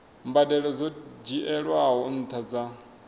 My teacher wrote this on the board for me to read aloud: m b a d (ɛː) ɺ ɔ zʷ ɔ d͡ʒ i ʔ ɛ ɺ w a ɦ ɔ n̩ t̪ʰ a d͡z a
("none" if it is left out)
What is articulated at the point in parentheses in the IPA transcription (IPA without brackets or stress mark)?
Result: ɛ